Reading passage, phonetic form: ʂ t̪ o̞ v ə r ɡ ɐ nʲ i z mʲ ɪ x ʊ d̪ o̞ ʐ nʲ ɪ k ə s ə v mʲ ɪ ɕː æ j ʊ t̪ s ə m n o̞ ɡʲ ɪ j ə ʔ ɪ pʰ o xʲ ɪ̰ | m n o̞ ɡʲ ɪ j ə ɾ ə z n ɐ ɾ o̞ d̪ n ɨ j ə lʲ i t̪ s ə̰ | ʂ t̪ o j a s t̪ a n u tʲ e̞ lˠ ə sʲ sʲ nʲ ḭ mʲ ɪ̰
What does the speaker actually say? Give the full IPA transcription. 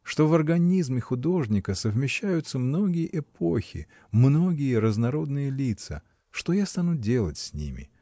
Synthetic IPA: ʂ t̪ o̞ v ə r ɡ ɐ nʲ i z mʲ ɪ x ʊ d̪ o̞ ʐ nʲ ɪ k ə s ə v mʲ ɪ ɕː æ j ʊ t̪ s ə m n o̞ ɡʲ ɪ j ə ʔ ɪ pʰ o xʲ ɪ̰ | m n o̞ ɡʲ ɪ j ə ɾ ə z n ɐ ɾ o̞ d̪ n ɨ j ə lʲ i t̪ s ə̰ | ʂ t̪ o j a s t̪ a n u dʲ e̞ lˠ ə tʲ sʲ nʲ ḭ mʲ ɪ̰